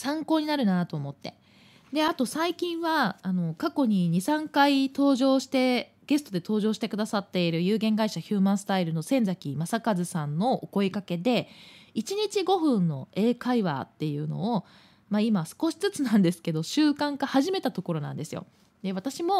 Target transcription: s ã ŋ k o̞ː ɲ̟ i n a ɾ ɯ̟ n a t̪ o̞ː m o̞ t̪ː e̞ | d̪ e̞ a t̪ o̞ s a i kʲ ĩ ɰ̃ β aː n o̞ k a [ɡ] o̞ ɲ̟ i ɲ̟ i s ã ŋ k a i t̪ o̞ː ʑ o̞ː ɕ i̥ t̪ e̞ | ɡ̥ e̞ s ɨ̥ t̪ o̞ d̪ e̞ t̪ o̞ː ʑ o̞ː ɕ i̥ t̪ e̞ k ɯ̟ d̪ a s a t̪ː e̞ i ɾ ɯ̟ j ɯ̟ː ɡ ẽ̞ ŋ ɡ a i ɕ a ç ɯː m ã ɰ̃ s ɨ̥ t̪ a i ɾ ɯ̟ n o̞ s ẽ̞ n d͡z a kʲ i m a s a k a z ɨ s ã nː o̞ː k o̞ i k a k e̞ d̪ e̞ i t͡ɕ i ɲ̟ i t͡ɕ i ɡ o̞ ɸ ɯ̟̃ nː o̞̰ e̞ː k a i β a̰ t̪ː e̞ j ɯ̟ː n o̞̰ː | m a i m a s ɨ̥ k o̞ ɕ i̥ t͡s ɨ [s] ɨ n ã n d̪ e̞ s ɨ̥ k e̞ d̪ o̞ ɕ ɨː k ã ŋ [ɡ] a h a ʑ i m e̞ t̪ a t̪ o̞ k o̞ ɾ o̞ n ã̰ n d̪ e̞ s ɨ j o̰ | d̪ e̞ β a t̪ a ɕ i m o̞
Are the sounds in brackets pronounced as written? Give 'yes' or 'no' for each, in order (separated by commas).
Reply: no, no, no